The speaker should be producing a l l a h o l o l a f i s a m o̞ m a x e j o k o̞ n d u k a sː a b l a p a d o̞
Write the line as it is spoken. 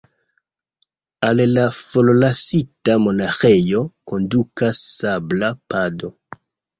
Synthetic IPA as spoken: a l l a f o l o l a s i t a m o̞ n a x e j o k o̞ n d u k a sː a b l a p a d o̞